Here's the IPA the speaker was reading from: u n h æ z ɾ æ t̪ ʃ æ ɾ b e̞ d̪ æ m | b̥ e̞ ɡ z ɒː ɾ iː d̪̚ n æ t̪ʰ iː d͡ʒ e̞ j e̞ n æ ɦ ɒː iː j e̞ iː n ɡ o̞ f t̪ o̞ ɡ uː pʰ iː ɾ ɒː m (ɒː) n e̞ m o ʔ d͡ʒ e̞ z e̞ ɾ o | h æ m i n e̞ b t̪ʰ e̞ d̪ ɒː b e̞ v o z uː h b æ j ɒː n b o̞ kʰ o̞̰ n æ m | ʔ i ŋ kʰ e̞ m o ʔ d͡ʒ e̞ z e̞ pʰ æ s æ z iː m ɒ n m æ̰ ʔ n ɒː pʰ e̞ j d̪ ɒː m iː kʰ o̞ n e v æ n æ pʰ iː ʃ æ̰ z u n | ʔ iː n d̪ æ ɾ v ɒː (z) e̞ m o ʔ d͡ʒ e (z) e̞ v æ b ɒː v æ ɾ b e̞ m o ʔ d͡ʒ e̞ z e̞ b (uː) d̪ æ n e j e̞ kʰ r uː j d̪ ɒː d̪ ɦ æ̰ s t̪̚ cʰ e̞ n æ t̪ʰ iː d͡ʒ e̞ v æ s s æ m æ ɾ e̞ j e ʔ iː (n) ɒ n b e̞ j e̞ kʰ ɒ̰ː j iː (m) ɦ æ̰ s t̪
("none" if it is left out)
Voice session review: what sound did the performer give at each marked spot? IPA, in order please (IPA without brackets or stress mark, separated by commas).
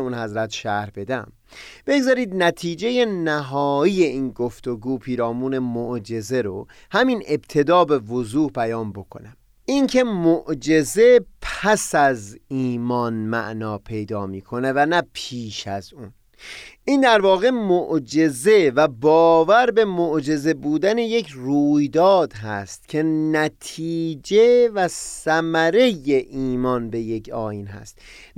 uː, ɣ, z, uː, m, n